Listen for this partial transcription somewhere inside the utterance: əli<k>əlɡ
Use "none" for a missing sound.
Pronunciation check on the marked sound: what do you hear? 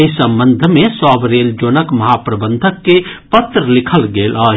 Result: kʰ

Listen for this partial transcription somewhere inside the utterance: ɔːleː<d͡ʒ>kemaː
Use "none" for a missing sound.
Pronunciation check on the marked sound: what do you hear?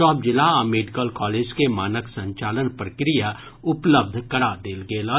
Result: d͡ʒ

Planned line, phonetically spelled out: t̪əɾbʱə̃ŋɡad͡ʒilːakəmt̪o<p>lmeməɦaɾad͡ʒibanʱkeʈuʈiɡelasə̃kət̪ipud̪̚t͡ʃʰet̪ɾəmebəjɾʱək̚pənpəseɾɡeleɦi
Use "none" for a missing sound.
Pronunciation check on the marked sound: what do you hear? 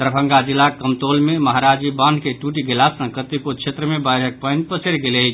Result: none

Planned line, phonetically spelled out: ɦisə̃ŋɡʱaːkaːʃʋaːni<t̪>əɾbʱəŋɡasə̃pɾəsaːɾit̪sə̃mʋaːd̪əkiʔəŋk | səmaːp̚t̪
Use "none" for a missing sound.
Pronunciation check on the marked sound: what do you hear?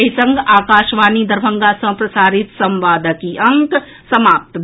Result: d̪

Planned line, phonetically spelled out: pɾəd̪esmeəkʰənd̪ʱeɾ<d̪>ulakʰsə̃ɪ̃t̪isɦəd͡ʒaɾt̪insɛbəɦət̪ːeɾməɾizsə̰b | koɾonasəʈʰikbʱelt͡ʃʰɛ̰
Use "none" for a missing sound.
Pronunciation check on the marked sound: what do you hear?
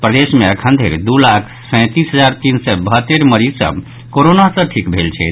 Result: d̪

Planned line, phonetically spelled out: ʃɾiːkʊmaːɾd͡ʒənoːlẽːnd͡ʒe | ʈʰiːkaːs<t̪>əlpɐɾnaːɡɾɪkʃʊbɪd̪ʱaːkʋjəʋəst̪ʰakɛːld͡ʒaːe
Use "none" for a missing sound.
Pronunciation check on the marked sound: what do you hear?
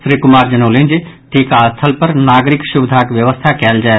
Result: t̪ʰ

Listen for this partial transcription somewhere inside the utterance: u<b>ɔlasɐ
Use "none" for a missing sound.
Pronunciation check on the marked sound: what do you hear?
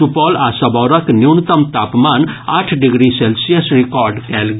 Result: p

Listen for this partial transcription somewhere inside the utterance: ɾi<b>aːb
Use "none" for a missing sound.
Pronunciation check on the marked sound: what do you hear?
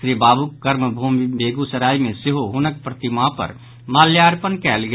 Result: b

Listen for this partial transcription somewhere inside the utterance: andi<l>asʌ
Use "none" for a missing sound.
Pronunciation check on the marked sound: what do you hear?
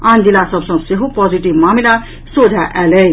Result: l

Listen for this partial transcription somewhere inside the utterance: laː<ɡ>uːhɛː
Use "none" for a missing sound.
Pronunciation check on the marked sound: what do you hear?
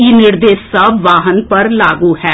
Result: ɡ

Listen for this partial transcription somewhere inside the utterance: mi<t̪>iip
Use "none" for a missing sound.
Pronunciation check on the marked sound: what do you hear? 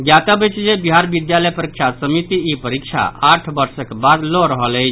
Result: t̪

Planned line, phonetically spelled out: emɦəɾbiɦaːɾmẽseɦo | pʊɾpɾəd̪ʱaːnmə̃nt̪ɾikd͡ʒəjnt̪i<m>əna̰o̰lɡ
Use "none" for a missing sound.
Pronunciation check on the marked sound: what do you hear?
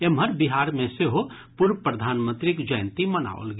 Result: m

